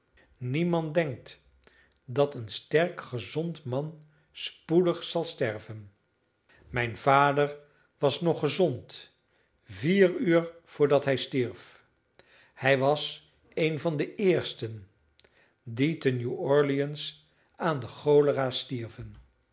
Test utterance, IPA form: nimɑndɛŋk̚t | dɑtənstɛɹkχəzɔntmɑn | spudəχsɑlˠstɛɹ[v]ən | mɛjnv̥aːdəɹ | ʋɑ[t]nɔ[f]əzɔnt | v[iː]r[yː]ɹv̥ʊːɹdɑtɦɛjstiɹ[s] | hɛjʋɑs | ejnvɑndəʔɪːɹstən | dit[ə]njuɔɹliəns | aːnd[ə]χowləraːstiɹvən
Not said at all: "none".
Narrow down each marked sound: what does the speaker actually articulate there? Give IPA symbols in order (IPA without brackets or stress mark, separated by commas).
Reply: v, s, χ, iː, yː, f, ə, ə